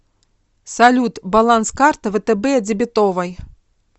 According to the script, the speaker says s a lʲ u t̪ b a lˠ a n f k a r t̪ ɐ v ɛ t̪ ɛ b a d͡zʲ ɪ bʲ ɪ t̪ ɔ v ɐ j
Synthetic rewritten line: s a lʲ u t̪ b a lˠ a n s k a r t̪ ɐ v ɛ t̪ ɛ b ɛ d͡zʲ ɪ bʲ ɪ t̪ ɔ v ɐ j

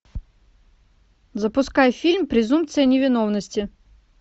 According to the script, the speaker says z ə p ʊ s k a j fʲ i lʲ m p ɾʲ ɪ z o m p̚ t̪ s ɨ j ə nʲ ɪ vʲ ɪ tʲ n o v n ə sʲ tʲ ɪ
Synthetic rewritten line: z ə p ʊ s k a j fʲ i lʲ m p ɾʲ ɪ z u m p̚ t̪ s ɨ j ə nʲ ɪ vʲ ɪ n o v n ə sʲ tʲ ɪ

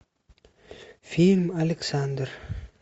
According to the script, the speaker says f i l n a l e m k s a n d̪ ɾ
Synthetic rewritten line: f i l m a l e k s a n d̪ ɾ

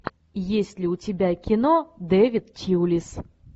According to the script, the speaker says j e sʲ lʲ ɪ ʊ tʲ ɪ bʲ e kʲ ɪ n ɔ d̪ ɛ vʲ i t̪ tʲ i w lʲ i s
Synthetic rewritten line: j e sʲ lʲ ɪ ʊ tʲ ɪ bʲ a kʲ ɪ n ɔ d̪ ɛ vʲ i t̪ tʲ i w lʲ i s

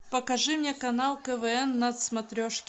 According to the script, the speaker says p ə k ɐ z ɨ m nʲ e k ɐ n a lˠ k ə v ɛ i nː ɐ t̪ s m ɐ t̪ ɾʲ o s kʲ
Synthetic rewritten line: p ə k ɐ ʐ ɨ m nʲ e k ɐ n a lˠ k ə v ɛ ɛ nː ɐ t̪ s m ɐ t̪ ɾʲ o ʂ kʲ

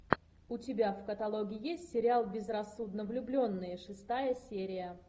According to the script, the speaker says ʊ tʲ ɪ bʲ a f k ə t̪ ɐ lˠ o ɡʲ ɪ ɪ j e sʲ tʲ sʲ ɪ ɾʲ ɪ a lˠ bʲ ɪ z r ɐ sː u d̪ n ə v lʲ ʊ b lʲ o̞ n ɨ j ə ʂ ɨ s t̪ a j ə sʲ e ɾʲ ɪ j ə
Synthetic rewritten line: ʊ tʲ ɪ bʲ a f k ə t̪ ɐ lˠ o ɡʲ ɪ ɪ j e sʲ tʲ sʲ ɪ ɾʲ ɪ a lˠ bʲ ɪ z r ɐ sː u d̪ n ə v lʲ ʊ b lʲ o̞ nː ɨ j ə ʂ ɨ s t̪ a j ə sʲ e ɾʲ ɪ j ə

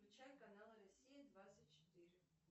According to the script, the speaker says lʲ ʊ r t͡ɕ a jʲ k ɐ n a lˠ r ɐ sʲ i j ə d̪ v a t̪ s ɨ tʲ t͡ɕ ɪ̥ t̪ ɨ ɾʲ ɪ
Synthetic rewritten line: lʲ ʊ t͡ɕ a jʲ k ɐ n a lˠ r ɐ sʲ i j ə d̪ v a t̪ s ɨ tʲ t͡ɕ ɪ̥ t̪ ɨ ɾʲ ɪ

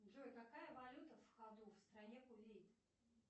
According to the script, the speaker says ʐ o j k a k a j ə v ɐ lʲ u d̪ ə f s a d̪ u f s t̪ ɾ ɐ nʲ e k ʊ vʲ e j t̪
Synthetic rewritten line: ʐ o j k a k a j ə v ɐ lʲ u t̪ ə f x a d̪ u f s t̪ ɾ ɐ nʲ e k ʊ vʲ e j t̪

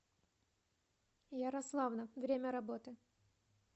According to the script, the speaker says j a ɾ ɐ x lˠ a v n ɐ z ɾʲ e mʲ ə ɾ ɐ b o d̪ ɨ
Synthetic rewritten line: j a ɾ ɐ s lˠ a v n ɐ v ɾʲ e mʲ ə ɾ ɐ b o t̪ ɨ

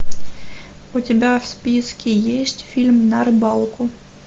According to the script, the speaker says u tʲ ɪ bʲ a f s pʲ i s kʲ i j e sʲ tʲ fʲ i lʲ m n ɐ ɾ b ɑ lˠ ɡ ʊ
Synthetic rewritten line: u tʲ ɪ bʲ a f s pʲ i s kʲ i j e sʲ tʲ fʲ i lʲ m n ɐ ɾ b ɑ lˠ k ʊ

